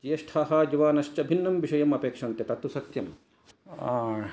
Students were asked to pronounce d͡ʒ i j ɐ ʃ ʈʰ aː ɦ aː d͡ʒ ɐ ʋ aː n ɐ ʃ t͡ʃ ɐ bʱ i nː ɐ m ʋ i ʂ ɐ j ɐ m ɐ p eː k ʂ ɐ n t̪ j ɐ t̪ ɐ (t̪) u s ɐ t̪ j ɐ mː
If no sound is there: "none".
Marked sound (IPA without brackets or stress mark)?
t̪